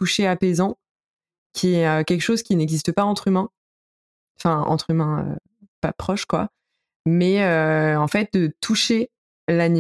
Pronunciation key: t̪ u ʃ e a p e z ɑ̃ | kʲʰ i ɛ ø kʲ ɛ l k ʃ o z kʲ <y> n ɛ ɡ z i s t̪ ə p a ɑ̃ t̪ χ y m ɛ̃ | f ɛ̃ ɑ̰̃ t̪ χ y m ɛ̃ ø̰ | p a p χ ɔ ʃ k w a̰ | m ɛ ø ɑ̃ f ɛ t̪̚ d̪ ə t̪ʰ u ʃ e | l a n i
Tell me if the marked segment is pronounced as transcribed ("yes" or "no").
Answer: no